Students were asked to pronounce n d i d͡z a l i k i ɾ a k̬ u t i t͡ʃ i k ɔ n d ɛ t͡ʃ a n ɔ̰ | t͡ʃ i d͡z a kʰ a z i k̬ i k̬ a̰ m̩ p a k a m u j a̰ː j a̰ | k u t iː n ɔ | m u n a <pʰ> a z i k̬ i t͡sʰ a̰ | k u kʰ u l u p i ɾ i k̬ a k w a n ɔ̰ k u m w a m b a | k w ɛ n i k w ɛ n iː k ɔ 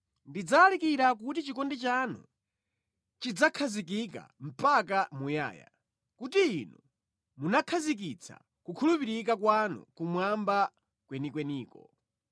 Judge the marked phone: incorrect: kʰ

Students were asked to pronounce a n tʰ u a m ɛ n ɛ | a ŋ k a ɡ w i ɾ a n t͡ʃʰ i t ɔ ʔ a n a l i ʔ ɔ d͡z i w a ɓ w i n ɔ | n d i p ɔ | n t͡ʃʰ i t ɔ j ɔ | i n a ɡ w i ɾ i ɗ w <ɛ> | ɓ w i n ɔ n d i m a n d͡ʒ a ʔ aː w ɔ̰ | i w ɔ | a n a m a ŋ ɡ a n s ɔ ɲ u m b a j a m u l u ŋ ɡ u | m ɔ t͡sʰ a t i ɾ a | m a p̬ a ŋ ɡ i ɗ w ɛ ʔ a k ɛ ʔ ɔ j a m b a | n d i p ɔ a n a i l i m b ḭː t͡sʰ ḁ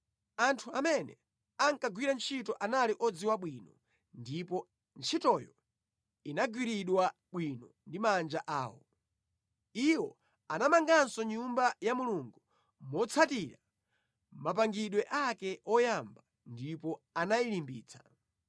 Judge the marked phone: incorrect: a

